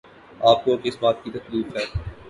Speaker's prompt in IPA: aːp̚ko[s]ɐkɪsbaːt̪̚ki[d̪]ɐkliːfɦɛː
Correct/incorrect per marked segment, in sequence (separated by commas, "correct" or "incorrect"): incorrect, incorrect